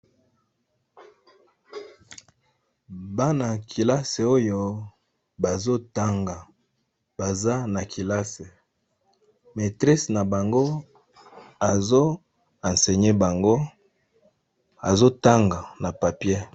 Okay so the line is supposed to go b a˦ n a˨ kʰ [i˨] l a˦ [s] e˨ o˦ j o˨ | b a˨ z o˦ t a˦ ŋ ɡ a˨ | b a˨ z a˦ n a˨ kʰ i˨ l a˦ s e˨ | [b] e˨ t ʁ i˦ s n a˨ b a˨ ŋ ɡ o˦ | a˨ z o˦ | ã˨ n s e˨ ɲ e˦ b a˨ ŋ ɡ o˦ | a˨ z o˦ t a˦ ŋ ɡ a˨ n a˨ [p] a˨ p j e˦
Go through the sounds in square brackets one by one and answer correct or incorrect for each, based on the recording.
correct, correct, incorrect, correct

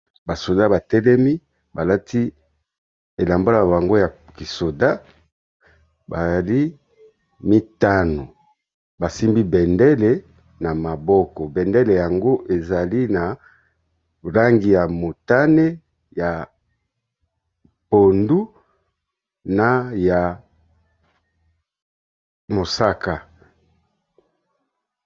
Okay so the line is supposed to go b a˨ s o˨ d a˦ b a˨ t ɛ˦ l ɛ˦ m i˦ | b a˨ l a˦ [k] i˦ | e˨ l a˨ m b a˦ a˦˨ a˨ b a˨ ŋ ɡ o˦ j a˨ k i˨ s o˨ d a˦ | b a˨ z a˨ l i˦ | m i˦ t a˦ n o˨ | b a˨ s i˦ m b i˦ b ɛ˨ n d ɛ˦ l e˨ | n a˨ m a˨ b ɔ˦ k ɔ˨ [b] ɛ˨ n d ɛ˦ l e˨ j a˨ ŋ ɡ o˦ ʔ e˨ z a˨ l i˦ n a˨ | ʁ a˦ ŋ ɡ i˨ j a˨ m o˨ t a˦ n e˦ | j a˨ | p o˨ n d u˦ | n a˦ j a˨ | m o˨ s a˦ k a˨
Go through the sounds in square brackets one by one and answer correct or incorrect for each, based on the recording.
incorrect, correct

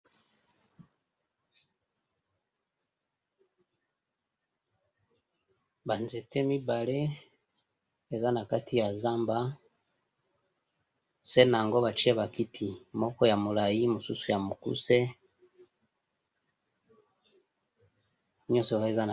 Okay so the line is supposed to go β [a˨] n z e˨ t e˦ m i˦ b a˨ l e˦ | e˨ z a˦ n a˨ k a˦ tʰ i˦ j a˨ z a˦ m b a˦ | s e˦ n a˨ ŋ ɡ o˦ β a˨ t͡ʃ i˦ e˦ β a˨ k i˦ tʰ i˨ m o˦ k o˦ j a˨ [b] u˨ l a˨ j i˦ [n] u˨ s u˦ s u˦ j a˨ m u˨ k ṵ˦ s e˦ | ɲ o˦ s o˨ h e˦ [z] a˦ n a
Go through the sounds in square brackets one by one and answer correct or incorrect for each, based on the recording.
correct, incorrect, incorrect, correct

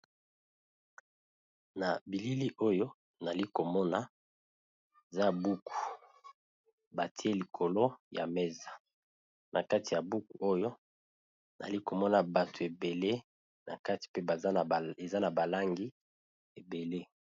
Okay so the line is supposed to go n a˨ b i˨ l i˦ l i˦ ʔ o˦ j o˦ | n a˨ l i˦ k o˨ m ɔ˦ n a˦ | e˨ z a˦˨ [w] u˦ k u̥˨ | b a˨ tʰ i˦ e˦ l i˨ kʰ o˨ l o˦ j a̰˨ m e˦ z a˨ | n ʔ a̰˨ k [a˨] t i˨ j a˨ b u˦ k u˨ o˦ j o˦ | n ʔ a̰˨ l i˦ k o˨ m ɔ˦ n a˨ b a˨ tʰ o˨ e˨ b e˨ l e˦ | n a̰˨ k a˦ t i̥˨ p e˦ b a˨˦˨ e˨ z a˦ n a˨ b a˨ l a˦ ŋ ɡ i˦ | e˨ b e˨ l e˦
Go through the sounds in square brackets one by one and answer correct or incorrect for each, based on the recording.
incorrect, incorrect

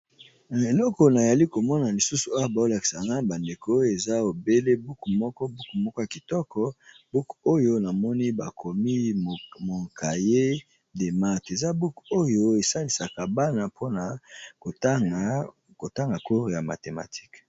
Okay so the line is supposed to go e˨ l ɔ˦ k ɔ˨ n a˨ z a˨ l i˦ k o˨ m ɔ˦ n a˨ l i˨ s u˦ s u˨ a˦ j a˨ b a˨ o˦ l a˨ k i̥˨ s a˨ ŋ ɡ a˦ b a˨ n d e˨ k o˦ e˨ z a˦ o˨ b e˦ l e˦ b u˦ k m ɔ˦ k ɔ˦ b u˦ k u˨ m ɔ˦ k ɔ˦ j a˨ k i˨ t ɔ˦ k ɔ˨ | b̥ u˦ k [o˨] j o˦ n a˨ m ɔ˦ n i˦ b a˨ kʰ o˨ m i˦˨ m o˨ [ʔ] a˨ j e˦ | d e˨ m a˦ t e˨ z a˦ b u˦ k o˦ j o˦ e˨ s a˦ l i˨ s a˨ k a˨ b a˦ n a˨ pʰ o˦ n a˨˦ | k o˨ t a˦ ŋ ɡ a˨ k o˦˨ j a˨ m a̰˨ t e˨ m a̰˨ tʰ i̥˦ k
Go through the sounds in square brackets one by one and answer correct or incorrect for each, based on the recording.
incorrect, incorrect

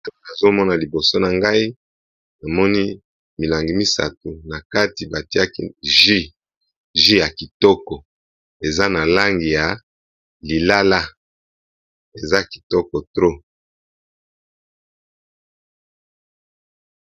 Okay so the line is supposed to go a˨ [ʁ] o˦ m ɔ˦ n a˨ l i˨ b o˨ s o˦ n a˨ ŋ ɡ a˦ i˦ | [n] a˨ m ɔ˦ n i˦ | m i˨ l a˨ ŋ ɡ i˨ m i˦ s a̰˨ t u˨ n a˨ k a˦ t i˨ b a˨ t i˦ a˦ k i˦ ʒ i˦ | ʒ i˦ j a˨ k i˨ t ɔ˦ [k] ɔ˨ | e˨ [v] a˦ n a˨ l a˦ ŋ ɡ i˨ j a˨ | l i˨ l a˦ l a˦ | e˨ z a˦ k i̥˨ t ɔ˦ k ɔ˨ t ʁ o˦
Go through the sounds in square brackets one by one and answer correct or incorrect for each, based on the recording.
incorrect, correct, correct, incorrect

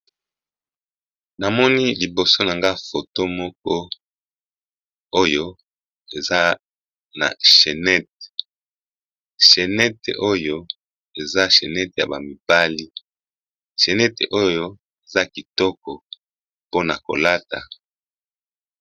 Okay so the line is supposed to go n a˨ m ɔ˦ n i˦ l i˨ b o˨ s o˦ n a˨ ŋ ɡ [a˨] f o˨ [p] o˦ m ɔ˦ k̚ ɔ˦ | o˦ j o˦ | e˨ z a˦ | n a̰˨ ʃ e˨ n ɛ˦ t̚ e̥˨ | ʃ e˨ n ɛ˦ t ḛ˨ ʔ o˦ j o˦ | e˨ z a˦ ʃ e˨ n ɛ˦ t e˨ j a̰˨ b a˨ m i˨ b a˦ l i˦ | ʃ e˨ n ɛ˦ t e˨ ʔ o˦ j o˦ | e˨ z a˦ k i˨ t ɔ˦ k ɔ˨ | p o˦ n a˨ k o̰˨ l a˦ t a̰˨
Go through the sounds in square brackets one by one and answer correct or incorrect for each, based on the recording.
incorrect, incorrect

